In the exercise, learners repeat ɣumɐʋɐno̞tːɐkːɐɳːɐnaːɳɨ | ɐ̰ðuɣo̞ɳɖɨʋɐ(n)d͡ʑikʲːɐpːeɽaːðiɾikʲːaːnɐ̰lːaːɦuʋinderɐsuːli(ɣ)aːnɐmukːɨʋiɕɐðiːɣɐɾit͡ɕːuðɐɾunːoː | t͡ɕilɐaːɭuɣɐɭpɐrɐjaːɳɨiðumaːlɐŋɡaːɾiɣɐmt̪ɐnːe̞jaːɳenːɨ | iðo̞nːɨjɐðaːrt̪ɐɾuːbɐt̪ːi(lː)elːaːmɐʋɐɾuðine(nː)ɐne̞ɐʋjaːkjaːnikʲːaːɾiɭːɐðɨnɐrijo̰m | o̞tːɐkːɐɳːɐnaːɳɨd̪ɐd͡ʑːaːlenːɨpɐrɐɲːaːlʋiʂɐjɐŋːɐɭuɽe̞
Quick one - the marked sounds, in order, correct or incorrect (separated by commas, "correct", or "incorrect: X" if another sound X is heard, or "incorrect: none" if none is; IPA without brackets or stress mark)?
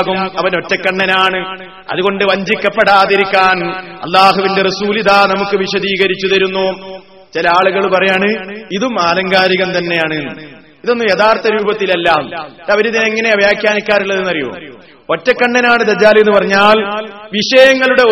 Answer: incorrect: ɲ, incorrect: ð, incorrect: l, incorrect: ŋː